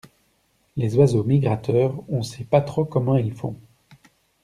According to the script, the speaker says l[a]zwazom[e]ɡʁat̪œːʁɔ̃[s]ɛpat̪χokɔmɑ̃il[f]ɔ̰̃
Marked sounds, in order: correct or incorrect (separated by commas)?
incorrect, incorrect, correct, correct